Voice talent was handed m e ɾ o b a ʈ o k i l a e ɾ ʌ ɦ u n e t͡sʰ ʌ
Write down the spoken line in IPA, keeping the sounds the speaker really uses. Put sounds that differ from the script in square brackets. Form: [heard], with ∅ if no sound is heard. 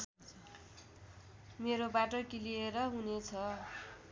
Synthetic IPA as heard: m e ɾ o b a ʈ o k i l [i] e ɾ ʌ ɦ u n e t͡sʰ ʌ